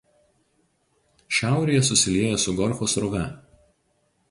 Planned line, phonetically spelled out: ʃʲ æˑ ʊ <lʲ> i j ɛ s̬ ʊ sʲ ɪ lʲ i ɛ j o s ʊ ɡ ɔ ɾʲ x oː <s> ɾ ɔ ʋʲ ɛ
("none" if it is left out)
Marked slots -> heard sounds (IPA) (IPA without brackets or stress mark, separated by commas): ɾʲ, s